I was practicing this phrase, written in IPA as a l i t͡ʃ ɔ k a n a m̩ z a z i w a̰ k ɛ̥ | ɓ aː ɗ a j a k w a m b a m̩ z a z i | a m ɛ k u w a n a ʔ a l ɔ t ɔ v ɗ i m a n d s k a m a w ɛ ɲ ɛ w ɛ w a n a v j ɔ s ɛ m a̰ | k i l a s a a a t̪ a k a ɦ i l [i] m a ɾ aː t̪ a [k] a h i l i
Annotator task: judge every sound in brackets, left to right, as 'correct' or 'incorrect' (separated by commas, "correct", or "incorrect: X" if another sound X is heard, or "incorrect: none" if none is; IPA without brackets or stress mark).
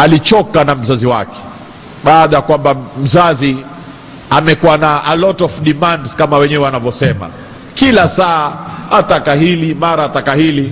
correct, correct